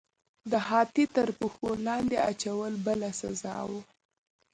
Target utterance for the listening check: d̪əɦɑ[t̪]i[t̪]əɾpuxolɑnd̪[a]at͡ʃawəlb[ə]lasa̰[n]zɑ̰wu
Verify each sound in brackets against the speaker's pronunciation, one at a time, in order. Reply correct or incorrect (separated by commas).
correct, correct, incorrect, correct, incorrect